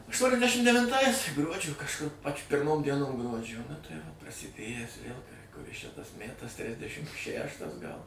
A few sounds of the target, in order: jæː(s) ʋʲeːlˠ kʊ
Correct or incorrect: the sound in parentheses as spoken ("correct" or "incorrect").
correct